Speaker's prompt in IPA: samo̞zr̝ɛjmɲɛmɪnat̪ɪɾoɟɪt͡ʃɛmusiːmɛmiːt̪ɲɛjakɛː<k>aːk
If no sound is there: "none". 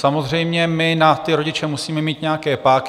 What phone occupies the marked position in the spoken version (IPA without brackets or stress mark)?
p